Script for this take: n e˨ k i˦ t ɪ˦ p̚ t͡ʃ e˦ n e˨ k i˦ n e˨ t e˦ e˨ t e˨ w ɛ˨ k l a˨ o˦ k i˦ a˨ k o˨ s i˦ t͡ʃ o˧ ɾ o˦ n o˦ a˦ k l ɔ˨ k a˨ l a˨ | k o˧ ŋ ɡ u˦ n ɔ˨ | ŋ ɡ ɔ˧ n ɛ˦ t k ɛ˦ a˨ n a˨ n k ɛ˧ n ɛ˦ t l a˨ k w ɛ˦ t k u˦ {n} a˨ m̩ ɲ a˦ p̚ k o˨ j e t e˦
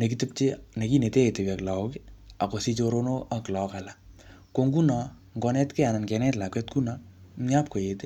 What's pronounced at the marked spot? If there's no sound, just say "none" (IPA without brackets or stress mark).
n